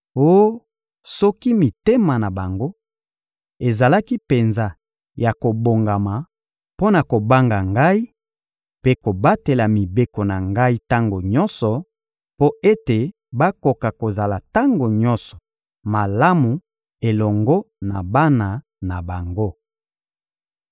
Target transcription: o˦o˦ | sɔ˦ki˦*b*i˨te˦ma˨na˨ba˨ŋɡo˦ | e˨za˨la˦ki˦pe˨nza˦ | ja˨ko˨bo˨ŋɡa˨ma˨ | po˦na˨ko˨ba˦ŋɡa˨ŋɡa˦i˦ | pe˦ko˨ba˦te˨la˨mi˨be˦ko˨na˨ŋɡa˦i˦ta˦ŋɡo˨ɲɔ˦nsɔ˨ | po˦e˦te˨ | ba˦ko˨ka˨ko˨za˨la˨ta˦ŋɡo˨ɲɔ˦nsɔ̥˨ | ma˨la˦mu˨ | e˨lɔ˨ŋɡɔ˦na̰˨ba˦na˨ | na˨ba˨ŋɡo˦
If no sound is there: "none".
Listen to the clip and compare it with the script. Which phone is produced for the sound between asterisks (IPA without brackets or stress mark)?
m